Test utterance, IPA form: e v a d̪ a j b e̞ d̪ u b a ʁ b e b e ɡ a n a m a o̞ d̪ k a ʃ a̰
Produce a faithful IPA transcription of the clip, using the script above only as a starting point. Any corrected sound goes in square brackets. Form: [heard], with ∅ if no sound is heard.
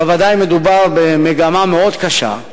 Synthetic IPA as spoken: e v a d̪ a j [m] e̞ d̪ u b a ʁ b e [m] e ɡ a [m] a m [e] o̞ d̪ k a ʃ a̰